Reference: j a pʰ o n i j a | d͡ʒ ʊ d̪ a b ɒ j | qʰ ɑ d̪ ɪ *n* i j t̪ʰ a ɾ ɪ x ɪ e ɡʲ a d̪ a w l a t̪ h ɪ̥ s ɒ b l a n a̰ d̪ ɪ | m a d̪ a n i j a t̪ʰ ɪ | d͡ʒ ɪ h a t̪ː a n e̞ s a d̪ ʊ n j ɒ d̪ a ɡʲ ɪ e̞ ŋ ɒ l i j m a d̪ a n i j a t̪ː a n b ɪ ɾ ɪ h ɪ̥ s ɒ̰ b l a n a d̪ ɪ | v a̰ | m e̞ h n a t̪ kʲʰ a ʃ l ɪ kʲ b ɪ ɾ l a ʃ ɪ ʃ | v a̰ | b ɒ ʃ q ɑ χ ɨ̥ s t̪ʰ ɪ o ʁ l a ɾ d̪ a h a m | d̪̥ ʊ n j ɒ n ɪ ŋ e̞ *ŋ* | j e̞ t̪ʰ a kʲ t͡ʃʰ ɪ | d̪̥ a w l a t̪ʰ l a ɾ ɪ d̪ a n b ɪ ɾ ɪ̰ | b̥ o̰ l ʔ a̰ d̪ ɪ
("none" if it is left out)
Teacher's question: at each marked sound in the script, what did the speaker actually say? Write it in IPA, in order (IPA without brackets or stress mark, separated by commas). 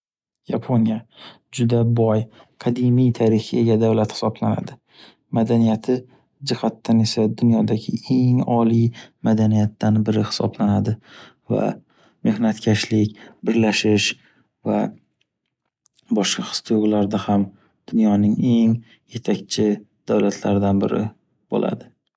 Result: m, ŋ